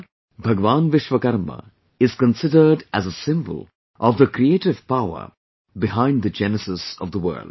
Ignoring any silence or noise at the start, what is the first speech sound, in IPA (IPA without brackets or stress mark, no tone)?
bʱ